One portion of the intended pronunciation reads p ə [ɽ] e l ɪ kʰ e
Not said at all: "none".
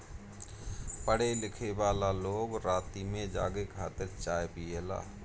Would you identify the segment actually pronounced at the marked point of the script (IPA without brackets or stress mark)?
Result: ɽ